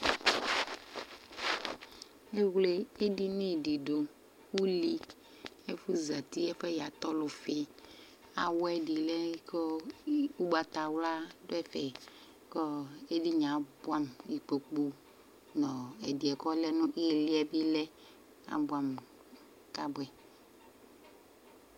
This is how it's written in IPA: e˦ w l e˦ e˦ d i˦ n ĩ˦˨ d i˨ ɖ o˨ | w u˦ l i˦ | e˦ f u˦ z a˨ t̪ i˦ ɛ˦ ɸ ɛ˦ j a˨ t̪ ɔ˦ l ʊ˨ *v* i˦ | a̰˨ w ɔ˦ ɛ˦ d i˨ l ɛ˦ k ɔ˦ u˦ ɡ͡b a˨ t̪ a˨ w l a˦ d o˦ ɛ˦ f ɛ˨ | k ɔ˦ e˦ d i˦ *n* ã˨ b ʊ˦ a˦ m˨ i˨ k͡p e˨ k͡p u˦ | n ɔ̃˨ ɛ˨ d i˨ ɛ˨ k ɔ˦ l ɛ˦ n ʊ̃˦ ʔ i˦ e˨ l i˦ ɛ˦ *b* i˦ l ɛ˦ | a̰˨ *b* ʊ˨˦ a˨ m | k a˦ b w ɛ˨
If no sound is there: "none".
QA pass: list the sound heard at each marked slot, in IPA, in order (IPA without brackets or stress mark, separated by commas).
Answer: f, ɲ, b, b